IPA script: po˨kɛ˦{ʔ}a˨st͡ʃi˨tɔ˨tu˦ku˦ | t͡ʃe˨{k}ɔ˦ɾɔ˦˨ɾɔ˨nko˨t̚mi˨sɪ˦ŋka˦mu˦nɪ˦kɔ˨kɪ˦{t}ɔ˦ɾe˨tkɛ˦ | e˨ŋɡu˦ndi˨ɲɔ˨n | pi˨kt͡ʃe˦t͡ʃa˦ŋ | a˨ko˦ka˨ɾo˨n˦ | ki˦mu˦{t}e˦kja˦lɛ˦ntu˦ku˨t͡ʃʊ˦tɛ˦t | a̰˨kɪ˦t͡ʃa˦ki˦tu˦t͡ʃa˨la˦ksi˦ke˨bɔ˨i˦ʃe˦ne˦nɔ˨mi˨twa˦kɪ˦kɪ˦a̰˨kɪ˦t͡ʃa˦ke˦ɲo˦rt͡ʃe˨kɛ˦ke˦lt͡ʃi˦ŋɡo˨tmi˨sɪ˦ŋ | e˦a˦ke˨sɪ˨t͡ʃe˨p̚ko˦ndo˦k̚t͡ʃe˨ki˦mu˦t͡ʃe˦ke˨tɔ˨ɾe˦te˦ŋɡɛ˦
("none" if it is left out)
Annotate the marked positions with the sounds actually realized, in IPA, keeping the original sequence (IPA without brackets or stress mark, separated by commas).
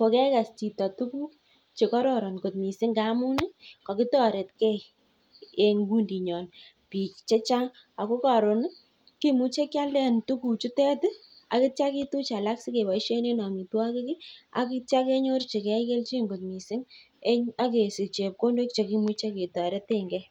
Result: k, k, t, t͡ʃ